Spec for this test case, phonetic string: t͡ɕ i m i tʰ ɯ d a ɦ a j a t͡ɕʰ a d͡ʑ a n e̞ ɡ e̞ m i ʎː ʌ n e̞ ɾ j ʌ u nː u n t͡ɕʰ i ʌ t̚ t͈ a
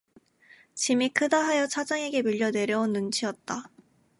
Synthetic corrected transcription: t͡ɕ i m i kʰ ɯ d a ɦ a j ʌ t͡ɕʰ a d͡ʑ a ŋ e̞ ɡ e̞ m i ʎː ʌ n e̞ ɾ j ʌ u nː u n t͡ɕʰ i ʌ t̚ t͈ a